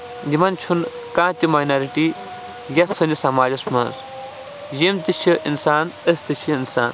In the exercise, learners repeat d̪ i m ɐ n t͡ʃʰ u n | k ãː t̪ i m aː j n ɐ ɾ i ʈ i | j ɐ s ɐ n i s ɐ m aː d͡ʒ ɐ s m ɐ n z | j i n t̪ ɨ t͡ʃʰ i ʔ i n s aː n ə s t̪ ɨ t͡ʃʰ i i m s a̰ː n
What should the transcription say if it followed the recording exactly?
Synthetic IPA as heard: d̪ i m ɐ n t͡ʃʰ u n | k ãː t̪ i m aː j n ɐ ɾ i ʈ i | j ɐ s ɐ n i s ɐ m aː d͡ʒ ɐ s m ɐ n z | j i m t̪ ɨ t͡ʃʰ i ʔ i n s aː n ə s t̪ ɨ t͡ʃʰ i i n s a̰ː n